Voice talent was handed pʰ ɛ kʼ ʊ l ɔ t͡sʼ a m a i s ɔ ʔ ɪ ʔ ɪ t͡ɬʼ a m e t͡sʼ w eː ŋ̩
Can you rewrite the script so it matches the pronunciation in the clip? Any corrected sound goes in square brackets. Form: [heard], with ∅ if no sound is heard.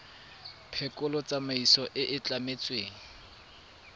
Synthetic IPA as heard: pʰ ɛ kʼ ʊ l ɔ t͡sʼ a m a i s ɔ ʔ ɪ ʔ ɪ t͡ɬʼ a m e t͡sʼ w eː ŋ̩